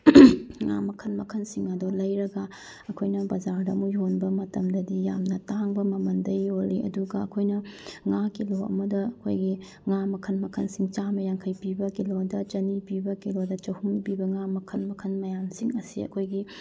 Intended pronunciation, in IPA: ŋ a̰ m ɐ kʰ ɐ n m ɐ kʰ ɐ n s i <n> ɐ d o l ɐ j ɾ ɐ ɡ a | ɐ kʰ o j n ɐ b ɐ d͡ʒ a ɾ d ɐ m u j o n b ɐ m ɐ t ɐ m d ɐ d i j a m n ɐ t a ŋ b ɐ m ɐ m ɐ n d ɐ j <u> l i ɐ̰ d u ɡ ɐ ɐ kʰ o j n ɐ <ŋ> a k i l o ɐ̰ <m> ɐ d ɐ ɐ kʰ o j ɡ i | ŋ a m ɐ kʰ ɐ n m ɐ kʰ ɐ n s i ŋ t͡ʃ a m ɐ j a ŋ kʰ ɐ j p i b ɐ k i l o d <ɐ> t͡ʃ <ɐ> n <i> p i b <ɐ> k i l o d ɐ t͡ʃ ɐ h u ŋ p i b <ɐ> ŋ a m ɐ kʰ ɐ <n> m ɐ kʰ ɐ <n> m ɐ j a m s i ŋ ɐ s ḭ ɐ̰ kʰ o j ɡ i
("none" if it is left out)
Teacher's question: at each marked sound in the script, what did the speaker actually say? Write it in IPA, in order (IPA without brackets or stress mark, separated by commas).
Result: ŋ, o, ŋ, m, ɐ, ɐ, i, ɐ, ɐ, n, n